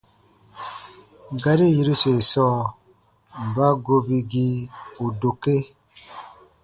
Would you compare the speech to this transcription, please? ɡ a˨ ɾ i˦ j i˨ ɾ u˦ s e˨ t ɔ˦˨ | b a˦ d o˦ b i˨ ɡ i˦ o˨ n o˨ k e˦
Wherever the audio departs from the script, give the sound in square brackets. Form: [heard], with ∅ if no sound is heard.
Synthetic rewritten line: ɡ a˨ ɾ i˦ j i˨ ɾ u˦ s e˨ [s] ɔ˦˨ | b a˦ [ɡ] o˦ b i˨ ɡ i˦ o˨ [d] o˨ k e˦

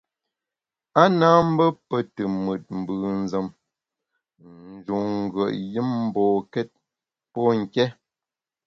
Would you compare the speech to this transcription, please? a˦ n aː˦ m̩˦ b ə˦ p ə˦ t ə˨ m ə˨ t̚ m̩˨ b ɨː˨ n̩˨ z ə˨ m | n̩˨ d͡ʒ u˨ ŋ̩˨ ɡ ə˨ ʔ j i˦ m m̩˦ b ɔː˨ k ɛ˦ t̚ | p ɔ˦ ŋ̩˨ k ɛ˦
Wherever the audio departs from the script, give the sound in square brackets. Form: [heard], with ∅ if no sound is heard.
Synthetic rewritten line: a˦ n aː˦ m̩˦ b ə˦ p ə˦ t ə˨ m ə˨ t̚ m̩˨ b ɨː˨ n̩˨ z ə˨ m | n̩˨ d͡ʒ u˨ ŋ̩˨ ɡ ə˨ ʔ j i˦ m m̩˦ b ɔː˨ k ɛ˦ t̚ | p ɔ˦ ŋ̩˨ k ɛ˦

